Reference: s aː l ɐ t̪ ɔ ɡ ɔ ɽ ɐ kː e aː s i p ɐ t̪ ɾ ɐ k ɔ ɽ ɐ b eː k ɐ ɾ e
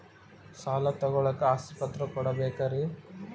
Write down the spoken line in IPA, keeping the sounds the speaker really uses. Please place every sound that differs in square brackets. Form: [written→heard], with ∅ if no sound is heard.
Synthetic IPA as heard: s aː l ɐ t̪ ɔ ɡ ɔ [ɽ→ɭ] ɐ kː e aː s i p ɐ t̪ ɾ ɐ k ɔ ɽ ɐ b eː k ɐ ɾ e